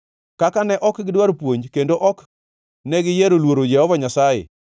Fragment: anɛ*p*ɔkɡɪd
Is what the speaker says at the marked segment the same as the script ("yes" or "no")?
no